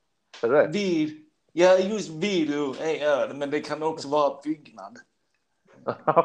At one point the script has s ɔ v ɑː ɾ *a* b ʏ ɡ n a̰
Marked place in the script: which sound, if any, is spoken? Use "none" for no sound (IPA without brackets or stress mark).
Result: a